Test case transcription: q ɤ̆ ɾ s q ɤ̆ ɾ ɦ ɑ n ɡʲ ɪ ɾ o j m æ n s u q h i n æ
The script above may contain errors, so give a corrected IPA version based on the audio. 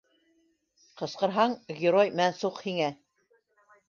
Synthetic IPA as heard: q ɤ̆ s q ɤ̆ ɾ ɦ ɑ ɴ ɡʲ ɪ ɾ o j m æ n s u q h i ŋ æ